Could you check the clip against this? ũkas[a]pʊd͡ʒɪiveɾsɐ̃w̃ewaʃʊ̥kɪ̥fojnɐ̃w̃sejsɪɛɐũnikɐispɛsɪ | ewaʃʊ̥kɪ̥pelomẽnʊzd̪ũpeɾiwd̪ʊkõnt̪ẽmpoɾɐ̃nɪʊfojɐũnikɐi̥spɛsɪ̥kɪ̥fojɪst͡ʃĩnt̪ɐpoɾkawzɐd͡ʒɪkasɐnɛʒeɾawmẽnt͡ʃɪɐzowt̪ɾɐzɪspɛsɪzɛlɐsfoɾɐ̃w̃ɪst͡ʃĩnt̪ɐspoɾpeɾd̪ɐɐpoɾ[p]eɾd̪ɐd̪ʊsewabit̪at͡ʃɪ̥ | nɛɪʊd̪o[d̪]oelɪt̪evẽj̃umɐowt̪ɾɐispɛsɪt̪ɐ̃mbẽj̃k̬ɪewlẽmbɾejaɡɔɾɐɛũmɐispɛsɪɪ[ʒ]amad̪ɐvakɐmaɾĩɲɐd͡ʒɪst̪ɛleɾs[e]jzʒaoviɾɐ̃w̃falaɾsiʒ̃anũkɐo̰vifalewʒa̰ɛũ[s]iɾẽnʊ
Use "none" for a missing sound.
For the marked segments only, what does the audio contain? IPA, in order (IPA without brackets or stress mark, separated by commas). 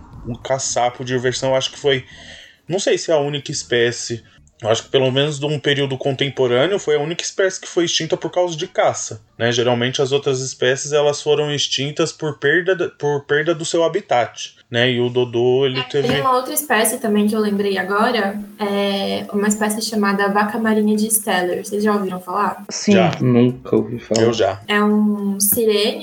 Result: a, p, d̪, ʃ, e, s